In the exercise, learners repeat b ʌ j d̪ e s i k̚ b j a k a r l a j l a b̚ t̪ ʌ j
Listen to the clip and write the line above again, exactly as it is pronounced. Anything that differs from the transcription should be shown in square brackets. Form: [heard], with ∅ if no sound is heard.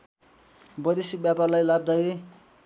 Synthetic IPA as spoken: b ʌ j d̪ e s i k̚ b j a [p] a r l a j l a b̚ [d̪] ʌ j